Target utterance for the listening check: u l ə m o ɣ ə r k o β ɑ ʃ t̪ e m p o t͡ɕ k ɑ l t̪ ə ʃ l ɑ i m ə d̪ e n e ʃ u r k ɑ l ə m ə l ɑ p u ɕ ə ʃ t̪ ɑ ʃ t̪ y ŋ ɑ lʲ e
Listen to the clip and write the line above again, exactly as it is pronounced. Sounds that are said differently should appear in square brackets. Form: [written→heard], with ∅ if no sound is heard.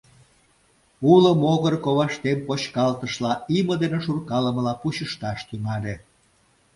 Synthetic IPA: u l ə m o ɣ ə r k o β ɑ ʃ t̪ e m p o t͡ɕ k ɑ l t̪ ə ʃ l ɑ i m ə d̪ e n e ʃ u r k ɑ l ə m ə l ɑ p u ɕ ə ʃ t̪ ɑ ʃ t̪ y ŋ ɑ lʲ e